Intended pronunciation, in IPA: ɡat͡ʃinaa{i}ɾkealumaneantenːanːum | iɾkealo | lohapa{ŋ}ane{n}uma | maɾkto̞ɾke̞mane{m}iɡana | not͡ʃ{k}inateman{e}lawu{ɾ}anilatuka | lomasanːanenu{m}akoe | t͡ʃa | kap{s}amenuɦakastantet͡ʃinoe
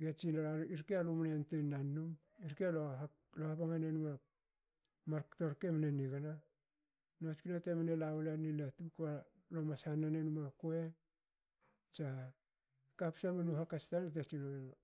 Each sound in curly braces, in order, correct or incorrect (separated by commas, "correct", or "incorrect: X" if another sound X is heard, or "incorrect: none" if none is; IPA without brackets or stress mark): correct, correct, correct, incorrect: n, correct, correct, incorrect: l, correct, correct